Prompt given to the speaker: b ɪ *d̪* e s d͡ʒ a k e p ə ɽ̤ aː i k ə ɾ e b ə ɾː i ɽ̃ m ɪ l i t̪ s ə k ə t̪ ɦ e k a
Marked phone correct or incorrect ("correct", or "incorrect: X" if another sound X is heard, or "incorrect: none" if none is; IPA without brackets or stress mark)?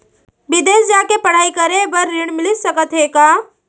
correct